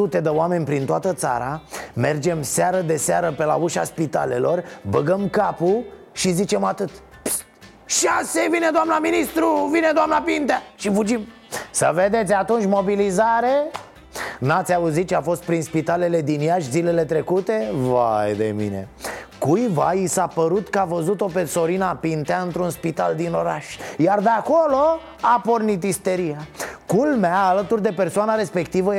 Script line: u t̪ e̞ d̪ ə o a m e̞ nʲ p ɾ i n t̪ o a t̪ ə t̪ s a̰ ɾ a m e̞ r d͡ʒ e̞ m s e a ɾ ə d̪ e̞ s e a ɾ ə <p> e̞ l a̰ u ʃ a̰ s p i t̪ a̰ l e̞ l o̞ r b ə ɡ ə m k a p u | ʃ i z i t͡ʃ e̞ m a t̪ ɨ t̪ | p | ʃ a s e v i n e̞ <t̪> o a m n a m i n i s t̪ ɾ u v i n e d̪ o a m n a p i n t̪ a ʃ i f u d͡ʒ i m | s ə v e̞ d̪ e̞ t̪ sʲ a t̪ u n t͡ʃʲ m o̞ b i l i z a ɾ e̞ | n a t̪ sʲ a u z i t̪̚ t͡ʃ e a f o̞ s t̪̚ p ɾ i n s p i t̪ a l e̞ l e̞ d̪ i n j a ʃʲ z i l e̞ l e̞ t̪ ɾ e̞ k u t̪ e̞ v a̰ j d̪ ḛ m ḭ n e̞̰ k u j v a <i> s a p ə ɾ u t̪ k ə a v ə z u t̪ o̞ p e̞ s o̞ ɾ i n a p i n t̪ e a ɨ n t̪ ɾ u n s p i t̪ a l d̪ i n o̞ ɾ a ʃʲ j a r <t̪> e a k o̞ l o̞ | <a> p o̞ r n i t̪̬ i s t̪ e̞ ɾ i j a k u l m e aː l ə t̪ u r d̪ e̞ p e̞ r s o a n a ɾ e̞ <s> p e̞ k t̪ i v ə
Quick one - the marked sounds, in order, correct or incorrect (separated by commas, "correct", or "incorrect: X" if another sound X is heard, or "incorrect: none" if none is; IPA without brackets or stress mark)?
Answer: correct, incorrect: d̪, correct, incorrect: d̪, correct, correct